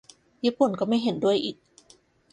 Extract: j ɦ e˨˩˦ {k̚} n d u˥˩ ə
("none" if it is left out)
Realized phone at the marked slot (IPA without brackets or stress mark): none